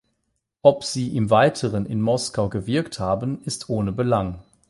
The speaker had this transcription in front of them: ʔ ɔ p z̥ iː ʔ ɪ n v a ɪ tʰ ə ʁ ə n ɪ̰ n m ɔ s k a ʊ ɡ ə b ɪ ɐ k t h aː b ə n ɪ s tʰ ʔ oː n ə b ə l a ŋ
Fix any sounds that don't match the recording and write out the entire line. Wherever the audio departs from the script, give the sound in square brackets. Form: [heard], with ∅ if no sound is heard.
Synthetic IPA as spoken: ʔ ɔ p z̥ iː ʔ ɪ [m] v a ɪ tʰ ə ʁ ə n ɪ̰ n m ɔ s k a ʊ ɡ ə [v] ɪ ɐ k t h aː b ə n ɪ s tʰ ʔ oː n ə b ə l a ŋ